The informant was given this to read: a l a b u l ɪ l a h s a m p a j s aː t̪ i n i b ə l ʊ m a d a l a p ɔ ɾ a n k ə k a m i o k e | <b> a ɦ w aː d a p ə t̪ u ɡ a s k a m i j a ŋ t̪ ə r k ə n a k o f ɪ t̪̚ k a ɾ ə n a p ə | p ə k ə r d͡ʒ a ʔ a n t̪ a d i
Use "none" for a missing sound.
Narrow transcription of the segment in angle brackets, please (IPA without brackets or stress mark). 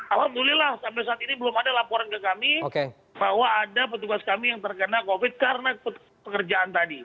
b